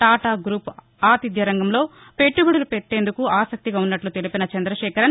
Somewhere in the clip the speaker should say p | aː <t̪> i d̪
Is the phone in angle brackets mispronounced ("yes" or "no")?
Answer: no